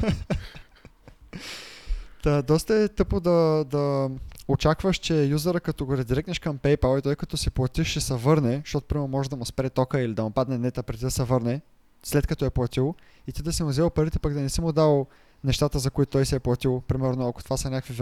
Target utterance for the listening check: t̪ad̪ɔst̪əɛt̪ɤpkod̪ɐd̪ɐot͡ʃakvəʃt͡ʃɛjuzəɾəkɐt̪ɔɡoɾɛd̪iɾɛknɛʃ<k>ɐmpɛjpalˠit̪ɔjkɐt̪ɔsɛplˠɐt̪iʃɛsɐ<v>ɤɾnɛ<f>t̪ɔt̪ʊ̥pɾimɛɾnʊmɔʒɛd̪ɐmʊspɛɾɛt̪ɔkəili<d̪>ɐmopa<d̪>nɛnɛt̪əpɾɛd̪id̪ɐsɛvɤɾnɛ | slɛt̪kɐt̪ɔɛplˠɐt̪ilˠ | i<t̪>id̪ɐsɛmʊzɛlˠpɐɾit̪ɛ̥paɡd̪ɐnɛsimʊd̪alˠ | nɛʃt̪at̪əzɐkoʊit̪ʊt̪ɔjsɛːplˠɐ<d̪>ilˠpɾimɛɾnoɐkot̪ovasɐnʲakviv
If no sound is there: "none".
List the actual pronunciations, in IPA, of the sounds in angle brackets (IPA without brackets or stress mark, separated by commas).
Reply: k, v, ʃ, d̪, d̪, t̪, t̪